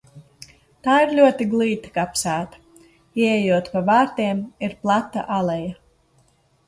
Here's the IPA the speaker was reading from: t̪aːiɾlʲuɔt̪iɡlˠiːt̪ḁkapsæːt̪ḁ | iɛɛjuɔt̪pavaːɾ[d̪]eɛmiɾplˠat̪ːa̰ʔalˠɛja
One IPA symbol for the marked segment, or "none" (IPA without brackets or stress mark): t̪